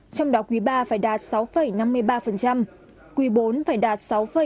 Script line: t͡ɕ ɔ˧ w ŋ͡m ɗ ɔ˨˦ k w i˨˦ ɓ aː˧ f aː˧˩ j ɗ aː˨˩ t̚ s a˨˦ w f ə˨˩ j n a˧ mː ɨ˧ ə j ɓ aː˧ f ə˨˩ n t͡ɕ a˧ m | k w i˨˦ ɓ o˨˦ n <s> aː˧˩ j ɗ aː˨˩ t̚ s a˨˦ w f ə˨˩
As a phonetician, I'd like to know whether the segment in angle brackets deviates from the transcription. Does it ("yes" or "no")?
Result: yes